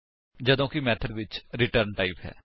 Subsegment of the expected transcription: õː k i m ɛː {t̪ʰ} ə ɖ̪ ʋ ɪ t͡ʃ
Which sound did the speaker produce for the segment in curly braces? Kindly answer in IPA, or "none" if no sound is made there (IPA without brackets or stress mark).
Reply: t̪ʰ